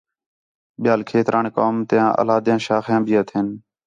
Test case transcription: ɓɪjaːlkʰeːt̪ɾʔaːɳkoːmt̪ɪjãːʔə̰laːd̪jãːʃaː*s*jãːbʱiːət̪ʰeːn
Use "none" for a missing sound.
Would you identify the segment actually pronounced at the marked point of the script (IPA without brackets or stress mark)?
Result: x